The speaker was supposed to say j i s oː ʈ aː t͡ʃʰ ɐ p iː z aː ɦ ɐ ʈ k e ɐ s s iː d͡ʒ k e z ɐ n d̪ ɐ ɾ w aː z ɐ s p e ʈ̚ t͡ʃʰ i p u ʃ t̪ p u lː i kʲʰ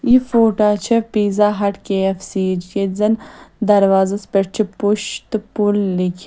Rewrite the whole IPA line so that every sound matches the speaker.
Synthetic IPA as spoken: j i f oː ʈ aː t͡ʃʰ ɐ p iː z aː ɦ ɐ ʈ k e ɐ f s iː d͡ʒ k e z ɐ n d̪ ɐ ɾ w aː z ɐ s p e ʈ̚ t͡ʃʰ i p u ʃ t̪ p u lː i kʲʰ